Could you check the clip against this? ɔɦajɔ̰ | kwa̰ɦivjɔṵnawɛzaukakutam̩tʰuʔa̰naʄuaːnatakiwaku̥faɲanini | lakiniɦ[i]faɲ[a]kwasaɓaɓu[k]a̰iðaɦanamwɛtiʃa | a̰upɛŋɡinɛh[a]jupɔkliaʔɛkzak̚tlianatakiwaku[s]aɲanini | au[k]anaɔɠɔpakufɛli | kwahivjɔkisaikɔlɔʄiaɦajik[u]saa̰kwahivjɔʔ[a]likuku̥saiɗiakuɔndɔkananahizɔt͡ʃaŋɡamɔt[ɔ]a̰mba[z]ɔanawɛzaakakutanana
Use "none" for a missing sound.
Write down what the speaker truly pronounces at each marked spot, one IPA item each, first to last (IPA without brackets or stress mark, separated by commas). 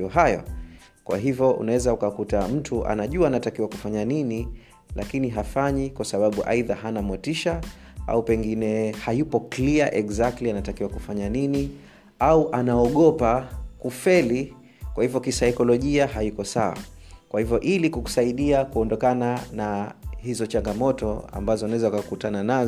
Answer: a, i, ʔ, a, f, ʔ, ɔ, i, ɔ, z